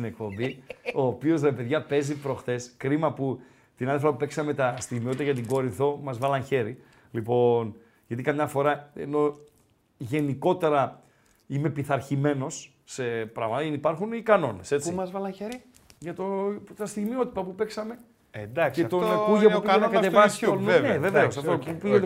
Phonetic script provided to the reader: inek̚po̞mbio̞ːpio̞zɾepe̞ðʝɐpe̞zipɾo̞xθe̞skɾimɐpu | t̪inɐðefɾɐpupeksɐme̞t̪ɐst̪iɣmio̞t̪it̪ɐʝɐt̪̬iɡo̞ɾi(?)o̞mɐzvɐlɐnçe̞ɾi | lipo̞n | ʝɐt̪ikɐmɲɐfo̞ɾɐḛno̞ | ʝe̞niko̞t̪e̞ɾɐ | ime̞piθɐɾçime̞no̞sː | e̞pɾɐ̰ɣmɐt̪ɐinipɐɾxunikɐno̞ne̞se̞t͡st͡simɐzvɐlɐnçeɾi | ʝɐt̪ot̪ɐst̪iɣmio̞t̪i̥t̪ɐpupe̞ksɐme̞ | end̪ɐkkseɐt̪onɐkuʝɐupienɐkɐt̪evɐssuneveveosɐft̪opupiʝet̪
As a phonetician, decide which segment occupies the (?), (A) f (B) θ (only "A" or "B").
B